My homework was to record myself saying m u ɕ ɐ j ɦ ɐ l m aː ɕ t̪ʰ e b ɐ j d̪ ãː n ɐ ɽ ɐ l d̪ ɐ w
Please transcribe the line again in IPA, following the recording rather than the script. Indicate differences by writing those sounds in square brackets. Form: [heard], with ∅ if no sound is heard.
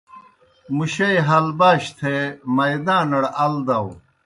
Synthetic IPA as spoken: m u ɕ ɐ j ɦ ɐ l [b] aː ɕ t̪ʰ e [m] ɐ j d̪ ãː n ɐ ɽ ɐ l d̪ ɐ w